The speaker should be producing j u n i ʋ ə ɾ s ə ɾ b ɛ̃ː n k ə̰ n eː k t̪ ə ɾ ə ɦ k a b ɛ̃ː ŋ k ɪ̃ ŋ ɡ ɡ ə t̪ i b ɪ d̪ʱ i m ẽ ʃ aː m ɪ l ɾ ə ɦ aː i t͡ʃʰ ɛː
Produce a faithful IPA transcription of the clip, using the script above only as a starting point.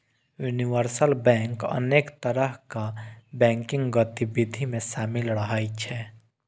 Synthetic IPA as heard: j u n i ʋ ə ɾ s ə l b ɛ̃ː ŋ k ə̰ n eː k t̪ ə ɾ ə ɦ k a b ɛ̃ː ŋ k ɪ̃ ŋ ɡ ɡ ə t̪ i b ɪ d̪ʱ i m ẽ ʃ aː m ɪ l ɾ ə ɦ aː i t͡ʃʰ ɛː

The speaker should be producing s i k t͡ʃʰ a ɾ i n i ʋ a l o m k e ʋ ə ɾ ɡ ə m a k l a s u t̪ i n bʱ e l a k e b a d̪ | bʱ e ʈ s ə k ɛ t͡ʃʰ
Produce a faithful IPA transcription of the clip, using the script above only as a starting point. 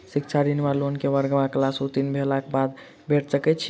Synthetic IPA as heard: s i k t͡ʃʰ a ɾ i n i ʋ a l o n k e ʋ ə ɾ ɡ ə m a k l a s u t̪ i n bʱ e l a k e b a d̪ | bʱ e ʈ s ə k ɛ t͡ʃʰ

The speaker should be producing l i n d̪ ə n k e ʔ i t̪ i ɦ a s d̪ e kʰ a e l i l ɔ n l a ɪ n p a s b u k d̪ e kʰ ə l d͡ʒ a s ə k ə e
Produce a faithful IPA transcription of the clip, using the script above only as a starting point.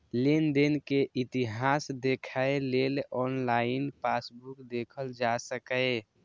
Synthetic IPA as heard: l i n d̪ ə n k e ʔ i t̪ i ɦ a s d̪ e kʰ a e l e l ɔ n l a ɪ n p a s b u k d̪ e kʰ ə l d͡ʒ a s ə k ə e

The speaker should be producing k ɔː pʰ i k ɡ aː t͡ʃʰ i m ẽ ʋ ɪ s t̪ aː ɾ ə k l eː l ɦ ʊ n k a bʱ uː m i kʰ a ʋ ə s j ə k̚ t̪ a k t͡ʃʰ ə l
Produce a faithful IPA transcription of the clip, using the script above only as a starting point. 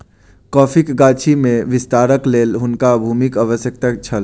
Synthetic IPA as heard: k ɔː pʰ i k ɡ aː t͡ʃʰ i m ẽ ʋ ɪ s t̪ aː ɾ ə k l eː l ɦ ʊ n k a bʱ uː m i k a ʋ ə s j ə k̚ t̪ a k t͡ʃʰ ə l

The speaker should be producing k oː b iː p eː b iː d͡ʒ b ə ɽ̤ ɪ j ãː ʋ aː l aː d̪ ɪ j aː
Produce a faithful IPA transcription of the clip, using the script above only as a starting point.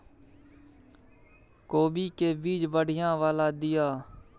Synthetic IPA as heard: k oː b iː k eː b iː d͡ʒ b ə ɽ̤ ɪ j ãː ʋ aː l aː d̪ ɪ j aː

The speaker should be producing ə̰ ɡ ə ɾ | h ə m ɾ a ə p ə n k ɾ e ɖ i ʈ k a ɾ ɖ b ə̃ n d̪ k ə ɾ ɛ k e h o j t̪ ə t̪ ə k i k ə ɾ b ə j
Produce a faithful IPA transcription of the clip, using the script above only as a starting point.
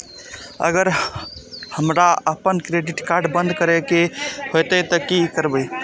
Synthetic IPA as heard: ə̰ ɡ ə ɾ | h ə m ɾ a ə p ə n k ɾ e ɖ i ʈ k a ɾ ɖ b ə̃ n d̪ k ə ɾ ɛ k e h o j t̪ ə t̪ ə k i k ə ɾ b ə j

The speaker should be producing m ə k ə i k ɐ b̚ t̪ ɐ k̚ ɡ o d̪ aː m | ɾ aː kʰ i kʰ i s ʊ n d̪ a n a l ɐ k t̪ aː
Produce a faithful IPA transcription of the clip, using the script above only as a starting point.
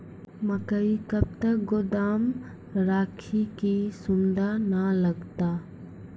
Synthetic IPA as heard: m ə k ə i k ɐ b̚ t̪ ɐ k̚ ɡ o d̪ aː m | ɾ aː kʰ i k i s ʊ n d̪ a n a l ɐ ɡ t̪ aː

